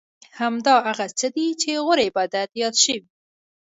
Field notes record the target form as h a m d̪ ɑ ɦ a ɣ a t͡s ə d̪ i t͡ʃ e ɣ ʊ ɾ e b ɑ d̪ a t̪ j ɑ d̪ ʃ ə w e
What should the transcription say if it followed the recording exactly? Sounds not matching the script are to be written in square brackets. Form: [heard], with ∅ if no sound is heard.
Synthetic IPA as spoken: h a m d̪ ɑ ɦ a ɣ a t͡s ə d̪ i t͡ʃ e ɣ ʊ ɾ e b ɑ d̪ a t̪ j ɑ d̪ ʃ ə w [i]